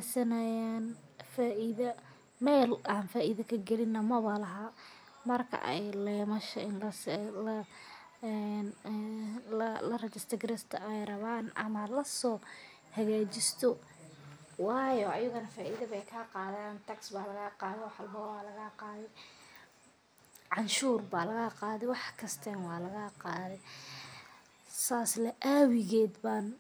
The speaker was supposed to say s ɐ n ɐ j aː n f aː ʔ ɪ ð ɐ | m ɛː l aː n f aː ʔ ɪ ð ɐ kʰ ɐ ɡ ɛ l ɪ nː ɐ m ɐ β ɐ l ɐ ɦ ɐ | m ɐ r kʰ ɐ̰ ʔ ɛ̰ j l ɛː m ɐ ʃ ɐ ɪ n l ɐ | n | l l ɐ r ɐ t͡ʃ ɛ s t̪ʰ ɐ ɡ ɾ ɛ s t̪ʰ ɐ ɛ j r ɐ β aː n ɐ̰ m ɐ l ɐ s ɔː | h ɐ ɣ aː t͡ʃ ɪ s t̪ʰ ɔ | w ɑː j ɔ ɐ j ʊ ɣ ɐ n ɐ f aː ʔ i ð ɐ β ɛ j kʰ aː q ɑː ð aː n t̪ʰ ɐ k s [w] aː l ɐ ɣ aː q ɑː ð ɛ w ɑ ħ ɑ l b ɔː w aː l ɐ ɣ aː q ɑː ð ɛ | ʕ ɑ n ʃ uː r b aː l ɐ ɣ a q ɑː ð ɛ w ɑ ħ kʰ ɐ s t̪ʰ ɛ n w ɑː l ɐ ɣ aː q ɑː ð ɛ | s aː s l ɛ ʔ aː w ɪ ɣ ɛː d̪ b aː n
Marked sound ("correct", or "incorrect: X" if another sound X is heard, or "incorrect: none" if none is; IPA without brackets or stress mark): incorrect: b